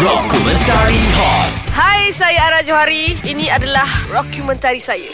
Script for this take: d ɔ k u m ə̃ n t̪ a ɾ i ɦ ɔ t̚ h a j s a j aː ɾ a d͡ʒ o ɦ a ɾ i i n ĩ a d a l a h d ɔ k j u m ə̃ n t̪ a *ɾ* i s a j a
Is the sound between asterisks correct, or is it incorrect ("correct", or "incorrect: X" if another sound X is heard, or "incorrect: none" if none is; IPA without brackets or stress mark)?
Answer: correct